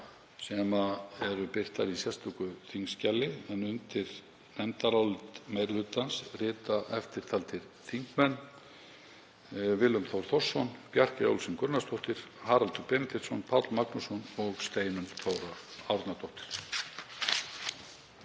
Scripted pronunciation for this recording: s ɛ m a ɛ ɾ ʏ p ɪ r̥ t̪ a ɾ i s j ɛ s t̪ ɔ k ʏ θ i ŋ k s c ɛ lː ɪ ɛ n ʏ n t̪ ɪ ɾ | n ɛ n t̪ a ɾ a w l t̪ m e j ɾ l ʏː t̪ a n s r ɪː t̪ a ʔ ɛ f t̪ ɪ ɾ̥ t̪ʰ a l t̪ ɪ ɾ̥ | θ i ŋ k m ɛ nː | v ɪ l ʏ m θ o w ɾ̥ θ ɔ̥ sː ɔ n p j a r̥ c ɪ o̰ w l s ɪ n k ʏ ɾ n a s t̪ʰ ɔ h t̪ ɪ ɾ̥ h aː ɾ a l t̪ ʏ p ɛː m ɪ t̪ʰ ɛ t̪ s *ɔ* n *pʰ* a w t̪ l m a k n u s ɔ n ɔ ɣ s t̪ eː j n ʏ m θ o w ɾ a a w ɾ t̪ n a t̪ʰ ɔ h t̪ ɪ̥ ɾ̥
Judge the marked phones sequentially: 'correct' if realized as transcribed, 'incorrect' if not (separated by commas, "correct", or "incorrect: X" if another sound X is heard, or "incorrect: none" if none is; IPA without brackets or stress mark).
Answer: correct, correct